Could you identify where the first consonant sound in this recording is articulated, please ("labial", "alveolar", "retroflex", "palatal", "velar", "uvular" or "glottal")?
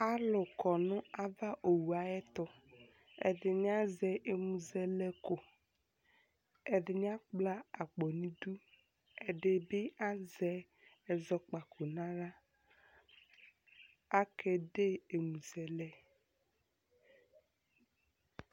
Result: alveolar